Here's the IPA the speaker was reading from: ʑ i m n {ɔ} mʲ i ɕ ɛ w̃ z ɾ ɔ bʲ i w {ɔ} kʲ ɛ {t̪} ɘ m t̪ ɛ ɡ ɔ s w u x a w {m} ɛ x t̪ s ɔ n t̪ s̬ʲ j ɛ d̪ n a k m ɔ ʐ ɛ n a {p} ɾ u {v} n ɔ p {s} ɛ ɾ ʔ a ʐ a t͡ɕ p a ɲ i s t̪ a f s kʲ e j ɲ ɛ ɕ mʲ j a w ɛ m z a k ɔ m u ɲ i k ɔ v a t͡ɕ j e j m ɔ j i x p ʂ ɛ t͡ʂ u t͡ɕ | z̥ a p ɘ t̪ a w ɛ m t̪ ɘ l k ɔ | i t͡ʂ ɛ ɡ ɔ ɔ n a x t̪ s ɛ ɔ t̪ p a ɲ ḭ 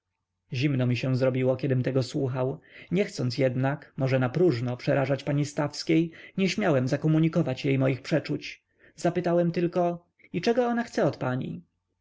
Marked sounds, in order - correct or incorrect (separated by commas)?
correct, correct, incorrect, incorrect, correct, incorrect, incorrect